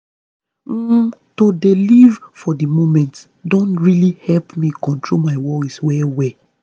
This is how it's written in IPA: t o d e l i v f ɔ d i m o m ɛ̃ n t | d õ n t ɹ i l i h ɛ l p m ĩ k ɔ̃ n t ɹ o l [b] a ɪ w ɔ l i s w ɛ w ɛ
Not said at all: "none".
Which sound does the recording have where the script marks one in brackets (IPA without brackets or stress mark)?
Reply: m